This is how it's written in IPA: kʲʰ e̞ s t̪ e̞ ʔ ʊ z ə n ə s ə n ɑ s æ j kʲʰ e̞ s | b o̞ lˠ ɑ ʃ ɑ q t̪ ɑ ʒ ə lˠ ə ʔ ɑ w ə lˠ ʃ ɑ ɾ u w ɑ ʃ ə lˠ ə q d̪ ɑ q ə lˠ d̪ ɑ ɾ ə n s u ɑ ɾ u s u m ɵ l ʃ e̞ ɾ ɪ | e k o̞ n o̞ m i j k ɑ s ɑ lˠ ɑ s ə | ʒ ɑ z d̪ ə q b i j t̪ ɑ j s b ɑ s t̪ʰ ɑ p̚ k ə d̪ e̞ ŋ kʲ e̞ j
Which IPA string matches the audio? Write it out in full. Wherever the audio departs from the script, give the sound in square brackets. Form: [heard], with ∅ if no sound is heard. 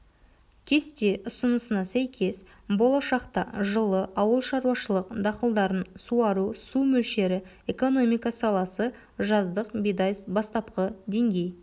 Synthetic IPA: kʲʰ e̞ s t̪ e̞ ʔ ʊ [s] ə n ə s ə n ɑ s æ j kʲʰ e̞ s | b o̞ lˠ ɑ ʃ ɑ q t̪ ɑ ʒ ə lˠ ə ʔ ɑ w ə lˠ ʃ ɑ ɾ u w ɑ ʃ ə lˠ ə q d̪ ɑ q ə lˠ d̪ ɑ ɾ ə n s u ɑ ɾ u s u m ɵ l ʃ e̞ ɾ ɪ | e k o̞ n o̞ m i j k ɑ s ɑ lˠ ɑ s ə | ʒ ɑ z d̪ ə q b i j [d̪] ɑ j s b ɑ s [t̪] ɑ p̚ [q] ə d̪ e̞ ŋ [ɡʲ] e̞ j